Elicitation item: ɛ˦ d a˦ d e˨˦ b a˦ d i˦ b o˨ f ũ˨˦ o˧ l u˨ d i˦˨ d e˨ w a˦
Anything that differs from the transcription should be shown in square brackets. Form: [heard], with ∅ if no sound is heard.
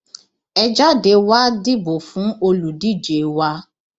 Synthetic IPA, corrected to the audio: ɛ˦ [d͡ʒ] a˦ d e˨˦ [w] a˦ d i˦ b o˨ f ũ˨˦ o˧ l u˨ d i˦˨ [d͡ʒ] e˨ w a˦